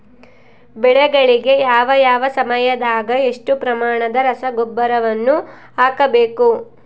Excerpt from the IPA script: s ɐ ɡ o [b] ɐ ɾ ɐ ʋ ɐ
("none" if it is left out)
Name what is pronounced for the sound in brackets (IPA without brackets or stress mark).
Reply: bː